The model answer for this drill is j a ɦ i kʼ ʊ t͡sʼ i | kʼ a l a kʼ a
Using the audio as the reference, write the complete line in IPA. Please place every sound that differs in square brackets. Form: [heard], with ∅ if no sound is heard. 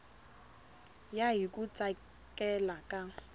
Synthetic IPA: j a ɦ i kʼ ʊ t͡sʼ [a] | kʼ [ɛ] l a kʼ a